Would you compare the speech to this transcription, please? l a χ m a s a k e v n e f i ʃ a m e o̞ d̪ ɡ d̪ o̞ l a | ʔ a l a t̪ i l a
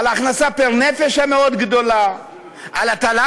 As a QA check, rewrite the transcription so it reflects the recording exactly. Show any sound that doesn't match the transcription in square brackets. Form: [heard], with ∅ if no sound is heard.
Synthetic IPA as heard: l a χ [n] a s a [p] e [ʁ] n e f [e] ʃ a m e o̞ d̪ ɡ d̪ o̞ l a | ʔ a l a t̪ [a] l a